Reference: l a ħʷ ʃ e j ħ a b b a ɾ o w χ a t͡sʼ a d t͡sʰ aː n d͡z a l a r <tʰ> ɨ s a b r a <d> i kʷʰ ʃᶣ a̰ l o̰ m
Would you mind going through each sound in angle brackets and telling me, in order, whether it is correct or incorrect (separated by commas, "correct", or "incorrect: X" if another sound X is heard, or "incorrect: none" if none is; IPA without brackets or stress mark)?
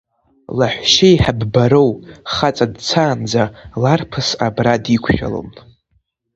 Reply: incorrect: pʰ, correct